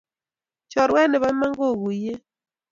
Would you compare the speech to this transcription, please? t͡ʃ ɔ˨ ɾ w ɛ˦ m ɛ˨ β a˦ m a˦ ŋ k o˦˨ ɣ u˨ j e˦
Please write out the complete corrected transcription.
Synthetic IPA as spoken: t͡ʃ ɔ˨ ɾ w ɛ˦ n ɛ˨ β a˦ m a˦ ŋ ɡ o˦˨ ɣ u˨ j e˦